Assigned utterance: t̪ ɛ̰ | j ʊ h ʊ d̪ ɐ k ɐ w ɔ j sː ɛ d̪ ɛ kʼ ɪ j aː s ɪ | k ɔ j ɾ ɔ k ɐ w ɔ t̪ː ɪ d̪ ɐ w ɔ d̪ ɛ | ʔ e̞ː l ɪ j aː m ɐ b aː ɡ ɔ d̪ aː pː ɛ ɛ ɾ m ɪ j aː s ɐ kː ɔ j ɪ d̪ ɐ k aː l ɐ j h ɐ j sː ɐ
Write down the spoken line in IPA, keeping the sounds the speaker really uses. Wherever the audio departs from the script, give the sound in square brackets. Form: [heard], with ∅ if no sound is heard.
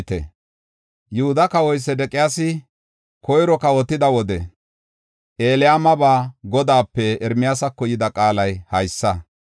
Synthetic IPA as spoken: t̪ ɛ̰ | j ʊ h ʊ d̪ ɐ k ɐ w ɔ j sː ɛ d̪ ɛ kʼ ɪ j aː s ɪ | k ɔ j ɾ ɔ k ɐ w ɔ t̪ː ɪ d̪ ɐ w ɔ d̪ ɛ | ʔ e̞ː l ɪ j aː m ɐ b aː ɡ ɔ d̪ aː pː ɛ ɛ ɾ m ɪ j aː s ɐ kː ɔ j ɪ d̪ ɐ [kʼ] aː l ɐ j h ɐ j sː ɐ